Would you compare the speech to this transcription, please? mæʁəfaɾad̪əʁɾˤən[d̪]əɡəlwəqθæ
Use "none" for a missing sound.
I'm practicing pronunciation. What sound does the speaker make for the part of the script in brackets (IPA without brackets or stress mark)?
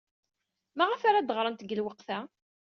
t̪